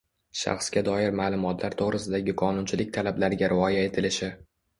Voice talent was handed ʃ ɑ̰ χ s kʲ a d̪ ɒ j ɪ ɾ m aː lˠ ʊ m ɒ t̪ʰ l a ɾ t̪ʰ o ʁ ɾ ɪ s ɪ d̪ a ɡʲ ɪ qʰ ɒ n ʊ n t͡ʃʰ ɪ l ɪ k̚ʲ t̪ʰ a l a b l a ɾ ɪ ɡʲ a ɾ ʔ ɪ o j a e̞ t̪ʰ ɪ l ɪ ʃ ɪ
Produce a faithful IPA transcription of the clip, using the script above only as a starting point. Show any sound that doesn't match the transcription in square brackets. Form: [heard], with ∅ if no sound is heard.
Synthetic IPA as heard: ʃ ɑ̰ χ s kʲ a d̪ ɒ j ɪ ɾ m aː lˠ ʊ m ɒ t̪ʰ l a ɾ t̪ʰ o ʁ ɾ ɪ s ɪ d̪ a ɡʲ ɪ qʰ ɒ n ʊ n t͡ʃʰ ɪ l ɪ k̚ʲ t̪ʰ a l a b l a ɾ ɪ ɡʲ a ɾ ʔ ɪ [ɒ] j a e̞ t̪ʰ ɪ l ɪ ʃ ɪ